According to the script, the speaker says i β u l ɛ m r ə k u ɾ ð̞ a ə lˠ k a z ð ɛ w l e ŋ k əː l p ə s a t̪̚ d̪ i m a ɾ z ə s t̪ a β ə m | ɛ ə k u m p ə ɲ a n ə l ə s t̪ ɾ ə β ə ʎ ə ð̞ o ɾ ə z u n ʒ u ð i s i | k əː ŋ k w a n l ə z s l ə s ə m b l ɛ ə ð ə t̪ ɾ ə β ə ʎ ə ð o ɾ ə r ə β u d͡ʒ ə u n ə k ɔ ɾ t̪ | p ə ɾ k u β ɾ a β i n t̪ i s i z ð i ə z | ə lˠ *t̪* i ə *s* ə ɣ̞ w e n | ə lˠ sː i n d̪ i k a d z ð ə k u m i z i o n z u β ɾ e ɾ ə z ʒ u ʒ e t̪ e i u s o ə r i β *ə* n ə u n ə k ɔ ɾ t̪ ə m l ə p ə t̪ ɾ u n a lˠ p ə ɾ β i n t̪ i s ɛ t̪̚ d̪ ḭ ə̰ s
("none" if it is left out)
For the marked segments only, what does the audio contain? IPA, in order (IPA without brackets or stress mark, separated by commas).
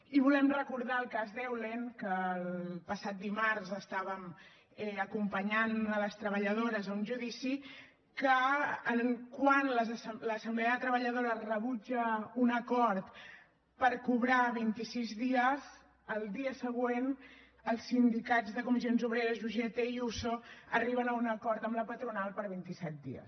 d̪, s, ə